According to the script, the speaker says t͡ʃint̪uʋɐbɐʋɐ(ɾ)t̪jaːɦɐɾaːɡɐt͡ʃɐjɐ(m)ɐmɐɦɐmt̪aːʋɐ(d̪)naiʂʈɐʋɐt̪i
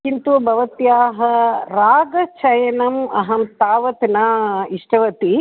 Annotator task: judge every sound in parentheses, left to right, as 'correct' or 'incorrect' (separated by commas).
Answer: incorrect, incorrect, incorrect